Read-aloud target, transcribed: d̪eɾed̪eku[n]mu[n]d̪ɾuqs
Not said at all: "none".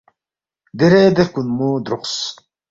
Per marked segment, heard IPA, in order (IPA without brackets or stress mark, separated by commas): n, none